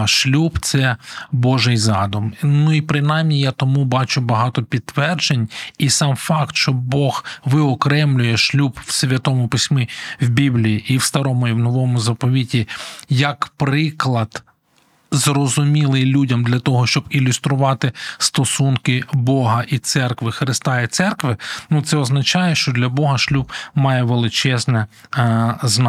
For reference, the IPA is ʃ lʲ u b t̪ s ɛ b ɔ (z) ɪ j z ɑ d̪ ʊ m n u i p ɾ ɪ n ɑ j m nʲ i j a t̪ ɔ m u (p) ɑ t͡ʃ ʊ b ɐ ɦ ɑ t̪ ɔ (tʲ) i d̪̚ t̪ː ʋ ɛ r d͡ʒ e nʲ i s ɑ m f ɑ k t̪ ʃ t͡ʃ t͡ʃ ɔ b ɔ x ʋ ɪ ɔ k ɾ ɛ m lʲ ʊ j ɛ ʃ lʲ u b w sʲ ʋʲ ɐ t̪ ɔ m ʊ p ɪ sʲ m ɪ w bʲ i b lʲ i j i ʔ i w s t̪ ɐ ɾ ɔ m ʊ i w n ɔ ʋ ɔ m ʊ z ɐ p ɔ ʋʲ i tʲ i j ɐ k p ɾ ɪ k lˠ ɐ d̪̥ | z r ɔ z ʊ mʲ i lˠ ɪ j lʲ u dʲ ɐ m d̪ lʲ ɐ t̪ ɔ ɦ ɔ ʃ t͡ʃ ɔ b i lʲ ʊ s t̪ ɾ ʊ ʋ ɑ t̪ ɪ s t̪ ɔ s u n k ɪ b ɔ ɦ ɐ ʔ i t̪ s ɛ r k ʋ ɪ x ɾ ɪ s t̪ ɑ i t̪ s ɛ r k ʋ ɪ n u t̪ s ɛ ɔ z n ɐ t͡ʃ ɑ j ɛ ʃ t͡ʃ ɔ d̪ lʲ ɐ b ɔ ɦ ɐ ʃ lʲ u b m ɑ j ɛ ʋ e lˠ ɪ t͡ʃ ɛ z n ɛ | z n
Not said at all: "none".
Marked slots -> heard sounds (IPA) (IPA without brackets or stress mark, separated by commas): ʒ, b, pʲ